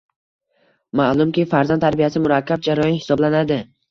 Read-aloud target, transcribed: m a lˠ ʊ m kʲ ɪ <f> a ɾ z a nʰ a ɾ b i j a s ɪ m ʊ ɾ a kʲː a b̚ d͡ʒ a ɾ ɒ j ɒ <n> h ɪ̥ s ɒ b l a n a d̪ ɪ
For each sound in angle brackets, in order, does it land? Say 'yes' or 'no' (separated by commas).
yes, yes